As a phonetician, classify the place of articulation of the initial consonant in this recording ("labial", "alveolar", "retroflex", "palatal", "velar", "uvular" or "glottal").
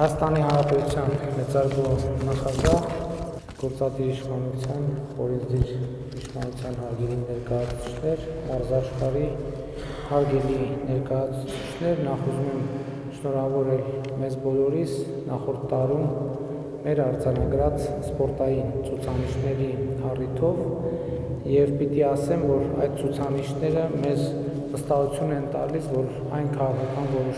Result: glottal